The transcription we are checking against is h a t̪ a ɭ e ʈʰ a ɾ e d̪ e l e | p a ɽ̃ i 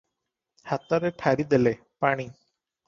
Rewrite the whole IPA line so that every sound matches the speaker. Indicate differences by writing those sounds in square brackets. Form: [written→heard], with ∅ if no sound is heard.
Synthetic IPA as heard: h a t̪ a [ɭ→ɾ] e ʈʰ a ɾ [e→i] d̪ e l e | p a ɽ̃ i